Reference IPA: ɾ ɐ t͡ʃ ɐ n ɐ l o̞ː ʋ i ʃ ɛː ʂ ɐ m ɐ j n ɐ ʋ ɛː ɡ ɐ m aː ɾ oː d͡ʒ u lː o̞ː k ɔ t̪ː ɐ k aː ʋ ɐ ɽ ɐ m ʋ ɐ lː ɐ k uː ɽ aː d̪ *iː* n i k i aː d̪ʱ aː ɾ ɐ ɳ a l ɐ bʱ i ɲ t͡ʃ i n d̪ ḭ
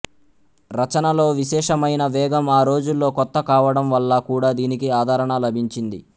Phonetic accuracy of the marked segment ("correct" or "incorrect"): correct